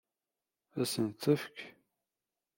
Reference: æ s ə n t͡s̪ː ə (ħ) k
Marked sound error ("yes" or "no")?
yes